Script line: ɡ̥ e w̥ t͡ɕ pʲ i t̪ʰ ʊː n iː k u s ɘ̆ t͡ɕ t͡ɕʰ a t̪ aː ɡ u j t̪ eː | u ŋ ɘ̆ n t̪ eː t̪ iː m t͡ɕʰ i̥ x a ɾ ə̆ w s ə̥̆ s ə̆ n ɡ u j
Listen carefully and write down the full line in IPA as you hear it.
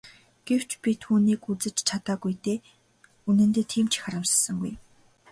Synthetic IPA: ɡ̥ e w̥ t͡ɕ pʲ i t̪ʰ uː n iː k u t͡s ɘ̆ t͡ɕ t͡ɕʰ a t̪ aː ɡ u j t̪ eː | u n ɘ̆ n t̪ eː t̪ʰ iː m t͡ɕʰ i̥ x a ɾ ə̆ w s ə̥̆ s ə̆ ŋ ɡ u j

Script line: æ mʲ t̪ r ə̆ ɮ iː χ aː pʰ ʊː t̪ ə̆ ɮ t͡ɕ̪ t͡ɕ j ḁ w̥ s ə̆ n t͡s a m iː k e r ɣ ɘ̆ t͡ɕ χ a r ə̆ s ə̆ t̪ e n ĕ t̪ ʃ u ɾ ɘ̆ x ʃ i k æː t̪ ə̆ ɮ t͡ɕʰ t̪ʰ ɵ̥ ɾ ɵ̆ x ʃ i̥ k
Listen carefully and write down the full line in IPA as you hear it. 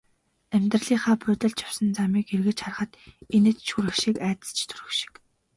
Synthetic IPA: æ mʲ t̪ r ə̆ ɮ iː χ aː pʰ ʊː t̪ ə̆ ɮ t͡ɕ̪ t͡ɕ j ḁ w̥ s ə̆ n t͡s a m iː k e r ɣ ɘ̆ t͡ɕ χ a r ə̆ χ ə̆ t̪ e n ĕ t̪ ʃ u ɾ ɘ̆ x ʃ i k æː t̪ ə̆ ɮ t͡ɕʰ t̪ʰ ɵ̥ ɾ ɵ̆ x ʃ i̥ k

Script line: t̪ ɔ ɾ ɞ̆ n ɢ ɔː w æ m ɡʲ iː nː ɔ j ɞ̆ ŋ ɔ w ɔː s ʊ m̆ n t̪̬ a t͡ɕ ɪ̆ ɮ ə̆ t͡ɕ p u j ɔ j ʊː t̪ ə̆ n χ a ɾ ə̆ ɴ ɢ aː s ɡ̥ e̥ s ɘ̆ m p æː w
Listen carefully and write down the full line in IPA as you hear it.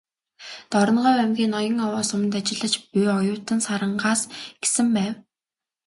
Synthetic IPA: t̪ ɔ ɾ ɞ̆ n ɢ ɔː w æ m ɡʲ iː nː ɔ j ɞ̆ ŋ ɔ w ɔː s ʊ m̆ n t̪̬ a t͡ɕ ɪ̆ ɮ ə̆ t͡ɕ p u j ɔ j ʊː t̪ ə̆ n s a ɾ ə̆ ɴ ɢ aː s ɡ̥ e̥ s ɘ̆ m p æː w

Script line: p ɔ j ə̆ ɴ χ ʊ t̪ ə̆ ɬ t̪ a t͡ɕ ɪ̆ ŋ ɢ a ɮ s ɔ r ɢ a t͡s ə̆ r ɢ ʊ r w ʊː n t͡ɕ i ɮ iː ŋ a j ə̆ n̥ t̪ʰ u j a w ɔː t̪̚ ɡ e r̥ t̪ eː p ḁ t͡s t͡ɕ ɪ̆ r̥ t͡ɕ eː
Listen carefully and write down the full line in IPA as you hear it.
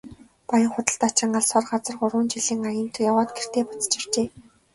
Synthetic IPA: p ɔ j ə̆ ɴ χ ʊ t̪ ə̆ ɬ t̪ a t͡ɕ ɪ̆ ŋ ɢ a ɮ s ɔ r ɢ a t͡s ə̆ r ɢ ʊ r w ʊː n t͡ɕ i ɮ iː ŋ a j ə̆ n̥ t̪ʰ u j a w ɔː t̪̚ ɡ e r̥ t̪ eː p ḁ t͡s t͡ɕ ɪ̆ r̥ t͡ɕ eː

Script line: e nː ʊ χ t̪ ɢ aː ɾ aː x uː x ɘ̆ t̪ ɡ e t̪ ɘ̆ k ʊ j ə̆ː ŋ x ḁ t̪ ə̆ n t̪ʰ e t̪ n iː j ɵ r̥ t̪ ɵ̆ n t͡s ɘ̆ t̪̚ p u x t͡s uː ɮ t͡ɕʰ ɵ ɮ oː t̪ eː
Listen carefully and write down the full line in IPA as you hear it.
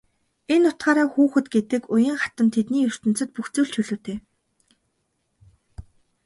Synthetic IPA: e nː ʊ t̪ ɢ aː ɾ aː x uː x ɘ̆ t̪ ɡ e t̪ ɘ̆ k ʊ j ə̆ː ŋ χ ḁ t̪ ə̆ n t̪ʰ e t̪ n iː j ɵ r̥ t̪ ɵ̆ n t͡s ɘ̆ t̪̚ p u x t͡s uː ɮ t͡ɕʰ ɵ ɮ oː t̪ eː

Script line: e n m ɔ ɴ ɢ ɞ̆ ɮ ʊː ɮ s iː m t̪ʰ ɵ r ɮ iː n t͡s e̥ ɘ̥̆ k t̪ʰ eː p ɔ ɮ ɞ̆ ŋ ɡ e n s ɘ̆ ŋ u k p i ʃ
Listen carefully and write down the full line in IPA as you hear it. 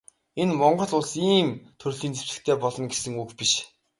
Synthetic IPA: e n m ɔ ɴ ɢ ɞ̆ ɮ ʊ ɮ s iː m t̪ʰ ɵ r ɮ iː n t͡s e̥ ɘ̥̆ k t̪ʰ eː p ɔ ɮ ɞ̆ n ɡ e s ɘ̆ ŋ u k p i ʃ

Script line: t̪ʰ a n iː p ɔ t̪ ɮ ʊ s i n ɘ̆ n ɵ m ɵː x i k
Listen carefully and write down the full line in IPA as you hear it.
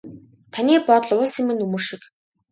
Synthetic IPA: t̪ʰ a n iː p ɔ t̪ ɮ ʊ s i m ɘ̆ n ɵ m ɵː ʃ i k

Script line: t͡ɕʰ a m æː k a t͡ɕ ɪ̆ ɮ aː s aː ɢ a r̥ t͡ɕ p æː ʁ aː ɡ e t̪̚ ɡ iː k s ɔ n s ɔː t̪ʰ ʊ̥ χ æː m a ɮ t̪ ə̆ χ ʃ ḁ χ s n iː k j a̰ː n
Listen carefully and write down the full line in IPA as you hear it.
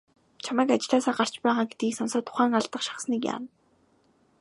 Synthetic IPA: t͡ɕʰ a m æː k a t͡ɕ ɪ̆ ɮ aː s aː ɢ a r̥ t͡ɕ p æː ʁ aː ɡ e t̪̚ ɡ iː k s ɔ n s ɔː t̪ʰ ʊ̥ χ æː ŋ a ɮ t̪ ə̆ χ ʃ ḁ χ s n iː k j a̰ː n

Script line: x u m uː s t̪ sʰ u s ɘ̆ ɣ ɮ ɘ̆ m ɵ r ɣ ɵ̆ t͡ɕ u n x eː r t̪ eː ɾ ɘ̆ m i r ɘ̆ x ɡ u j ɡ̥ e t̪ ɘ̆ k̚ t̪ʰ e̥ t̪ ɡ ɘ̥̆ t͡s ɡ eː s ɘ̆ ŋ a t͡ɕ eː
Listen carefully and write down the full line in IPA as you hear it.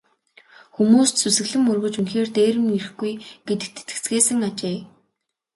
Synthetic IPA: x u m uː s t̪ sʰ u s ɘ̆ ɣ ɮ ɘ̆ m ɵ r ɣ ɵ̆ t͡ɕ u n x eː r t̪ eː ɾ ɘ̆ m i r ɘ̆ x ɡ u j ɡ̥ e t̪ ɘ̆ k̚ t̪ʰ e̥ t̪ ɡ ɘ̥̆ t͡s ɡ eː s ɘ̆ ŋ a t͡ɕ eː

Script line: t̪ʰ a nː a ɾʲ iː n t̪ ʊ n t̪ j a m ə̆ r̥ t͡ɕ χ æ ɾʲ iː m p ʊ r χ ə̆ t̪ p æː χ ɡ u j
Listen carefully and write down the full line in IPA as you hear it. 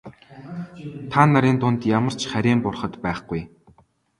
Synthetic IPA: t̪ʰ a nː a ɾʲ iː n t̪ ʊ n t̪ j a m ə̆ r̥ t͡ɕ χ æ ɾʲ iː m p ʊ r χ ə̆ t̪ p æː χ ɡ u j

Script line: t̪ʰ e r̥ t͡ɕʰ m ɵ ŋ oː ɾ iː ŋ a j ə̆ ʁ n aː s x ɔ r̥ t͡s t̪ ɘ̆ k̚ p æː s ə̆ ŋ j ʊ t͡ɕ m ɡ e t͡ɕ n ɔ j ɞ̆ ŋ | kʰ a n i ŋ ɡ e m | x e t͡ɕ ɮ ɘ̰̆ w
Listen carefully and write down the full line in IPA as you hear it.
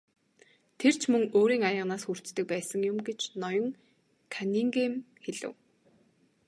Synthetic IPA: t̪ʰ e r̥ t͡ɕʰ m ɵ ŋ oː ɾ iː ŋ a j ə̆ ʁ n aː s x u r̥ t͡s t̪ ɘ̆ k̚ p æː s ə̆ ŋ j ʊ m ɡ e t͡ɕ n ɔ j ɞ̆ ŋ | kʰ a n i ŋ ɡ e m | x e ɮ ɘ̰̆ w

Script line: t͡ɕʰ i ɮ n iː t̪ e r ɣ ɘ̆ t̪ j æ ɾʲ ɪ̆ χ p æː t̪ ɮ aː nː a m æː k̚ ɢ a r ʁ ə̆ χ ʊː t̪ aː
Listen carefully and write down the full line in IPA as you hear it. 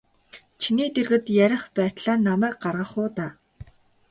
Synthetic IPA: t͡ɕʰ i n iː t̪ e r ɣ ɘ̆ t̪ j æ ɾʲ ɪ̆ χ p æː t̪ ɮ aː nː a m æː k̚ ɢ a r ʁ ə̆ χ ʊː t̪ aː

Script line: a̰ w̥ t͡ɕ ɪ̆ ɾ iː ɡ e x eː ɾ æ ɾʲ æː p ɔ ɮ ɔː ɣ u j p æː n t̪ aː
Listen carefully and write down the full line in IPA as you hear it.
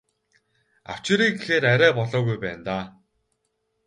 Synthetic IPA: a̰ w̥ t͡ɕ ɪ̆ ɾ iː ɡ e x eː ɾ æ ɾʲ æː p ɔ ɮ ɔː ɣ u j p æː n t̪ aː

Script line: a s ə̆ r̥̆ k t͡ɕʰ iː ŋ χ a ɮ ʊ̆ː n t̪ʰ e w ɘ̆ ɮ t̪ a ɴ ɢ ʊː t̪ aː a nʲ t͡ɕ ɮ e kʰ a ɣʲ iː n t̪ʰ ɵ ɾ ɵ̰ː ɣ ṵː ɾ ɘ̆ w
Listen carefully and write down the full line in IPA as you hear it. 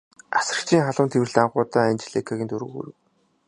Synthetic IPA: a s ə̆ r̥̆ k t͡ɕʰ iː ŋ χ a ɮ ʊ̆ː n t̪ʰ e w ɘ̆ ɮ t̪ a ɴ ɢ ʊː t̪ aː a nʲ t͡ɕ ɮ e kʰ a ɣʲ iː n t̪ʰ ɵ ɾ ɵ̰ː ɣ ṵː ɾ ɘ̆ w

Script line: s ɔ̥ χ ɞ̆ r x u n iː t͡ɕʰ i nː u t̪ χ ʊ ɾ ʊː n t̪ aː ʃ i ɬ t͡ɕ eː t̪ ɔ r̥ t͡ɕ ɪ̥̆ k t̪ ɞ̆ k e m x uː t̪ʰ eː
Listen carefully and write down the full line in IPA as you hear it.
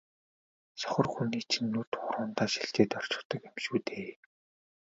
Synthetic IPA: s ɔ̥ χ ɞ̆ r x u n iː t͡ɕʰ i nː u t̪ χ ʊ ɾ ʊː n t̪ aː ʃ i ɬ t͡ɕ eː t̪ ɔ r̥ t͡ɕ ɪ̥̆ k t̪ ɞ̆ k e m ʃ uː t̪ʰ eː

